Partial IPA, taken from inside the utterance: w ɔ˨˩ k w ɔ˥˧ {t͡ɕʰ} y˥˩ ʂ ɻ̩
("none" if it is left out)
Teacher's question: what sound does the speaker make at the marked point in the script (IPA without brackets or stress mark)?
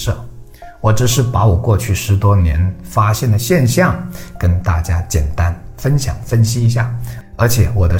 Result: t͡ɕʰ